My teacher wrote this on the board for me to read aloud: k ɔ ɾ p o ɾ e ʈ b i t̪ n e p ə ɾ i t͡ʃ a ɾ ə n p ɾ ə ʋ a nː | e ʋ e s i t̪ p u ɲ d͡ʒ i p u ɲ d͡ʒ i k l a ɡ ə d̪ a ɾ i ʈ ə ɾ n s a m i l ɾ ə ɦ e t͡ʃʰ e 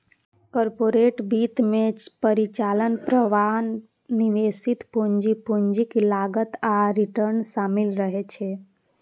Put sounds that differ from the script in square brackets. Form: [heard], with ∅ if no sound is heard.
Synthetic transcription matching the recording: k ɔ ɾ p o ɾ e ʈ b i t̪ [m] e p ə ɾ i t͡ʃ a [l] ə n p ɾ ə ʋ a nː | [i] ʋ e s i t̪ p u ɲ d͡ʒ i p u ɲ d͡ʒ i k l a ɡ ə [t̪] a ɾ i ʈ ə ɾ n s a m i l ɾ ə ɦ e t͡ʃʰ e